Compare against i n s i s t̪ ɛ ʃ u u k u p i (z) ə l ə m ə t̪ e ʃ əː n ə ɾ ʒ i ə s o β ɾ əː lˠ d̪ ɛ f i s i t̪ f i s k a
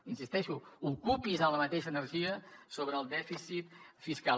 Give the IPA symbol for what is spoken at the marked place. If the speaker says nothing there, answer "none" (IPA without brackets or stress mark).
z